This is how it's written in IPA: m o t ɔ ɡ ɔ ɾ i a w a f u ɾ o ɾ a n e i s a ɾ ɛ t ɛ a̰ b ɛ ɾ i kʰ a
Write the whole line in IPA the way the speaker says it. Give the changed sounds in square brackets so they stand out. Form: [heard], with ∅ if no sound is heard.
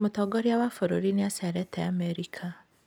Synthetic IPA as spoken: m o t ɔ ɡ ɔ ɾ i a w a f [o] ɾ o ɾ [i] n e [a] s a ɾ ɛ t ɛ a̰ [m] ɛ ɾ i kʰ a